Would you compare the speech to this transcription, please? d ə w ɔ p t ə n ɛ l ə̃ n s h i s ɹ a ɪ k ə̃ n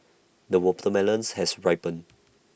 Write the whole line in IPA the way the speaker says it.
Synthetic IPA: d ə w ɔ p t ə m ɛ l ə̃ n s h ɛ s ɹ a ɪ p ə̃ n